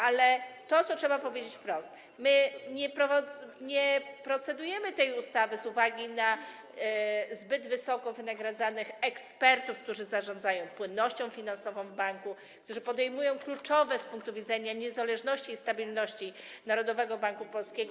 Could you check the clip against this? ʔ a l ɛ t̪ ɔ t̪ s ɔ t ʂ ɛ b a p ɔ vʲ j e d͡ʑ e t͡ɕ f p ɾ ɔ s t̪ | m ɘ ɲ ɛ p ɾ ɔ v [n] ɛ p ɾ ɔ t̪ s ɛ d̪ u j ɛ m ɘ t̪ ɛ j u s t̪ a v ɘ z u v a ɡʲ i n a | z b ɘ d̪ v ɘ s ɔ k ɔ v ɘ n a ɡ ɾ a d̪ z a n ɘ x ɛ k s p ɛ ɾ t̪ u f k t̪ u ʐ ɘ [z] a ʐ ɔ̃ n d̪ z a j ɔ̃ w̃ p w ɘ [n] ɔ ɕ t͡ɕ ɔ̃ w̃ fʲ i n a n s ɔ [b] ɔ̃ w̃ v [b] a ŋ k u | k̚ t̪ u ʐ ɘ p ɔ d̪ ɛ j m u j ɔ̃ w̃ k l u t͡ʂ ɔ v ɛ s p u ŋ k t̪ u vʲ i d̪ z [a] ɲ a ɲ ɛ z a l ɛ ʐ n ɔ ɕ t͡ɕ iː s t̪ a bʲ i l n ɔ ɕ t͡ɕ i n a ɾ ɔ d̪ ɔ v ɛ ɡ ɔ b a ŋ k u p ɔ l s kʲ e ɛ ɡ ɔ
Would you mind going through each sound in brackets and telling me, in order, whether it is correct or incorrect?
incorrect: ɲ, correct, incorrect: nː, incorrect: v, correct, incorrect: ɛ

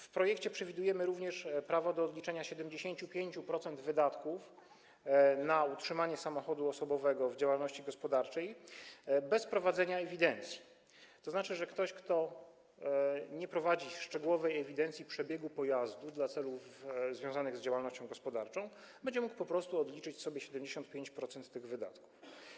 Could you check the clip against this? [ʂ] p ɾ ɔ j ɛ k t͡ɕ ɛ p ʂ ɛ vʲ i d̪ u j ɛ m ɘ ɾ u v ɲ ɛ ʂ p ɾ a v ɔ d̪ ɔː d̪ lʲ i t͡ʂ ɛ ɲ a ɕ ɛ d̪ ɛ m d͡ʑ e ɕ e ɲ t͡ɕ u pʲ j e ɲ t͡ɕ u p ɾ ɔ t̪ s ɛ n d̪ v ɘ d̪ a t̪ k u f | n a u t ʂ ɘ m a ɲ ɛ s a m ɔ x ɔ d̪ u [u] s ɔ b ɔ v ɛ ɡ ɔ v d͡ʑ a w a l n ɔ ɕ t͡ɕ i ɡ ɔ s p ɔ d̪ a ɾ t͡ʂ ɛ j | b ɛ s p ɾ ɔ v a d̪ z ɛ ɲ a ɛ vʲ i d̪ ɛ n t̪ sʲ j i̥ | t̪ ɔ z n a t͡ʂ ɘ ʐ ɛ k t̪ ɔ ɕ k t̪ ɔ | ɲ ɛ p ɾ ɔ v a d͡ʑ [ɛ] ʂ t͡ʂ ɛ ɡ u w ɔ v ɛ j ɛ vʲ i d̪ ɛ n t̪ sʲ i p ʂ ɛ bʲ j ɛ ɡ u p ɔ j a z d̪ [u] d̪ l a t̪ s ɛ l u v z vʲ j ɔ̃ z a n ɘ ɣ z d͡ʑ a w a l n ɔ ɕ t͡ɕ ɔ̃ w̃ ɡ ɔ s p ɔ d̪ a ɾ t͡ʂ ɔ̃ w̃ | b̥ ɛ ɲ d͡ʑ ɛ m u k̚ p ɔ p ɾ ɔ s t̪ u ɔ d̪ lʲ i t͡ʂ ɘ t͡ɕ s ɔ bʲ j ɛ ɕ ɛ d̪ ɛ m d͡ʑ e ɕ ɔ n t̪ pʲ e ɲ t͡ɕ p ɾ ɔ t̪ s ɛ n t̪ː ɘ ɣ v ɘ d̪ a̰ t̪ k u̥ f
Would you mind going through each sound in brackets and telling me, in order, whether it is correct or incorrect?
incorrect: f, incorrect: ɔ, incorrect: i, correct

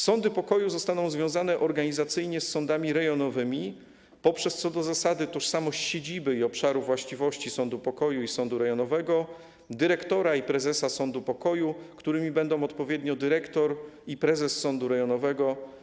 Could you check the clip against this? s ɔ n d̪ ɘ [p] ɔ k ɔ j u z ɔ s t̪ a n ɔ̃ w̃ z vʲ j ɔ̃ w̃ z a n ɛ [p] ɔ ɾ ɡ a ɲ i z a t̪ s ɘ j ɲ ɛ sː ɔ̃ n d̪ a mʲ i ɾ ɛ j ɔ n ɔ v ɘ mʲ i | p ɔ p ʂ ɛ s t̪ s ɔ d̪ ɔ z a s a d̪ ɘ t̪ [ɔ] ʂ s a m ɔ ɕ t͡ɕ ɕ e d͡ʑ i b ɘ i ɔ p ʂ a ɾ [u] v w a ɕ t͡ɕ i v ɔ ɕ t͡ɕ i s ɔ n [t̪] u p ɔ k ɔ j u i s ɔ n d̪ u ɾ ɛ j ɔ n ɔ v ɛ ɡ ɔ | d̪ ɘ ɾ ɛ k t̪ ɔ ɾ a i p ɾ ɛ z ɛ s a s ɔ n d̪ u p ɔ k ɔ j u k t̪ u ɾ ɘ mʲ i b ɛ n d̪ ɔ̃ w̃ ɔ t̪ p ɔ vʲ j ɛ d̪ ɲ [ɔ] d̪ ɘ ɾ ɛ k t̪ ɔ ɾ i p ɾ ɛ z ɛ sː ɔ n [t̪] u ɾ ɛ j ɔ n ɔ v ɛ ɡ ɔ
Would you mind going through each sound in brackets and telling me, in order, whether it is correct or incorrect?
correct, incorrect: ʔ, correct, correct, incorrect: d̪, correct, incorrect: d̪

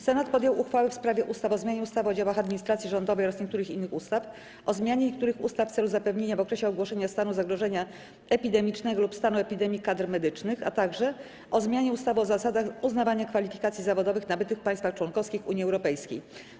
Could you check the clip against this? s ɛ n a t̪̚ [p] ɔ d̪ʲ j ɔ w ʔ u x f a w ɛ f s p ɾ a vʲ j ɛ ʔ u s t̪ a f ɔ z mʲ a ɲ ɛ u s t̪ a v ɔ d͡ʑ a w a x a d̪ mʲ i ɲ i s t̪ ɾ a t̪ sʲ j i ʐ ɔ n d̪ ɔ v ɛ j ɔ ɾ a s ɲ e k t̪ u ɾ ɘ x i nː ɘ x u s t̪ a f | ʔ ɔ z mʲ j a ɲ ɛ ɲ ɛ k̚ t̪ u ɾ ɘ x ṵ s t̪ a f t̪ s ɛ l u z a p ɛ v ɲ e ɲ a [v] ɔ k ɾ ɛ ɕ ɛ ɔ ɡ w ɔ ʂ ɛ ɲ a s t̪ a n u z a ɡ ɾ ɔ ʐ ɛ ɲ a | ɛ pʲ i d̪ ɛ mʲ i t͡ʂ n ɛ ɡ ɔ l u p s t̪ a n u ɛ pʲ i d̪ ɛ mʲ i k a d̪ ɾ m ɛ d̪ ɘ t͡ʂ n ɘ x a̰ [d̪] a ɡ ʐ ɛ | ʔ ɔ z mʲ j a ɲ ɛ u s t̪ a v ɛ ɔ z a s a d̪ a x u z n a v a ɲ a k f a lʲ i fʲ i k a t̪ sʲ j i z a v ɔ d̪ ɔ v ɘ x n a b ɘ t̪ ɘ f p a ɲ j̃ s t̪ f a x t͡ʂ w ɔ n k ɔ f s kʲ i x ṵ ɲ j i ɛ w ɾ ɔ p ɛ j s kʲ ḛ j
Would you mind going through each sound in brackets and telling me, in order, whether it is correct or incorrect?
correct, correct, incorrect: t̪

